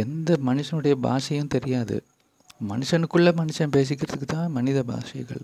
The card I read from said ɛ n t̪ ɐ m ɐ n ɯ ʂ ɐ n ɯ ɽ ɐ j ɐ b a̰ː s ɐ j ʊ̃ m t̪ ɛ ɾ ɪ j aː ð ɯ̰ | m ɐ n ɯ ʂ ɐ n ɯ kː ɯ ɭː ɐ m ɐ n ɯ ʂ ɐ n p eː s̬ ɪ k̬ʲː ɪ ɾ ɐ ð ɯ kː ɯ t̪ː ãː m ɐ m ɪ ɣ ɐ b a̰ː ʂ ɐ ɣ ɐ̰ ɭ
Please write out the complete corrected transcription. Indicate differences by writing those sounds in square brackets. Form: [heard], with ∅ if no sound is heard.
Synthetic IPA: ɛ n [d̪] ɐ m ɐ n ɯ ʂ ɐ n ɯ ɽ ɐ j ɐ b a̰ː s ɐ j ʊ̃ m t̪ ɛ ɾ ɪ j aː ð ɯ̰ | m ɐ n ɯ ʂ ɐ n ɯ kː ɯ ɭː ɐ m ɐ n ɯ ʂ ɐ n p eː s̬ ɪ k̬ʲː ɪ ɾ ɐ ð ɯ kː ɯ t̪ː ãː m ɐ [n] ɪ [ð] ɐ b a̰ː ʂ ɐ ɣ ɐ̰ ɭ